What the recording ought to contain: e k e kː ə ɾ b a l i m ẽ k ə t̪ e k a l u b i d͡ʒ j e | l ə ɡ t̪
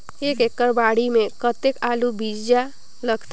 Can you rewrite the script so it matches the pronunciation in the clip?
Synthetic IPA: e k e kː ə ɾ b a ɽ i m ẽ k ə t̪ e k a l u b i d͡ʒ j a | l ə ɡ t̪